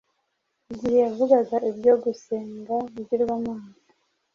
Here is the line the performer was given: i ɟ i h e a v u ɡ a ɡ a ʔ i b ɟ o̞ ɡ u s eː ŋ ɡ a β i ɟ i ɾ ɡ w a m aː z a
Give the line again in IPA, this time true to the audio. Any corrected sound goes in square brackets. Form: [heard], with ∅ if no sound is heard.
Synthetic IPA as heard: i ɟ i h e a v u ɡ a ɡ a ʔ i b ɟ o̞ ɡ u s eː ŋ ɡ a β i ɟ i ɾ ɡ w a m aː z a